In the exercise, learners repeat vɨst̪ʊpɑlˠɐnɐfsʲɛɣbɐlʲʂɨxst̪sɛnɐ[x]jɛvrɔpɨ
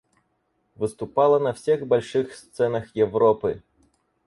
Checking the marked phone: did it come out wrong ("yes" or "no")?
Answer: no